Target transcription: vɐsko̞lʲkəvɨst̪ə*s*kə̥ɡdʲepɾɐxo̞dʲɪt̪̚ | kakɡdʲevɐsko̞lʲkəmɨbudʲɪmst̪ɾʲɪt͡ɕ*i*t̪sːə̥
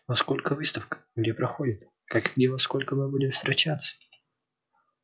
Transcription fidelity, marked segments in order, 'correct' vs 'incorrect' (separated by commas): incorrect, incorrect